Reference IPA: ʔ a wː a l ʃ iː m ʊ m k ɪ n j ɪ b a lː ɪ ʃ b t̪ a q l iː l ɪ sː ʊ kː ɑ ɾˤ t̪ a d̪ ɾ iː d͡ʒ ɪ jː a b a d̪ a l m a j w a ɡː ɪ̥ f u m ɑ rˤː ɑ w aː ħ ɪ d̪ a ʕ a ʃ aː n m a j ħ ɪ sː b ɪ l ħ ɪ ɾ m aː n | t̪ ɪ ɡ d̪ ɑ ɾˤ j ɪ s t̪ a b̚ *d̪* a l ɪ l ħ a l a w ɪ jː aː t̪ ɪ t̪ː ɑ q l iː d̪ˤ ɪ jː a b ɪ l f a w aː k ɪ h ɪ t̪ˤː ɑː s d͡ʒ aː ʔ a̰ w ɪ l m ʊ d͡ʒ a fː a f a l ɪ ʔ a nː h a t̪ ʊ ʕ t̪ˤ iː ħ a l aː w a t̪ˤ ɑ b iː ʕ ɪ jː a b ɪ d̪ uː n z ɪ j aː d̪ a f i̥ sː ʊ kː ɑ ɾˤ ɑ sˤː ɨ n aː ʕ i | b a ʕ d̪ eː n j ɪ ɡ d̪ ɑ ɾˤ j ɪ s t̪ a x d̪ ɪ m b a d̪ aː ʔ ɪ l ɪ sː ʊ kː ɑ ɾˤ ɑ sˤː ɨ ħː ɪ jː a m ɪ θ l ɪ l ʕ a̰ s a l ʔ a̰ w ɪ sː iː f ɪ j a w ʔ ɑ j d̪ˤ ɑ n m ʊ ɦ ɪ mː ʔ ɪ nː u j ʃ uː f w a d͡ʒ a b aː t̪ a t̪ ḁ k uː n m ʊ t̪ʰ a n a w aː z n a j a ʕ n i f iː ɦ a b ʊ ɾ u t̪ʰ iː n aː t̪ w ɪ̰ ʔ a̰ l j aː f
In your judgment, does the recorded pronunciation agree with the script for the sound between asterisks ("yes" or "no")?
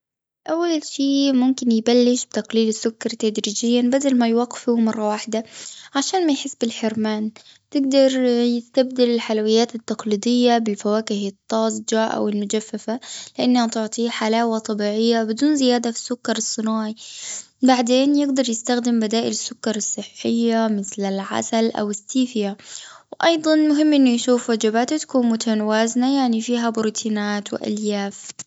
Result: yes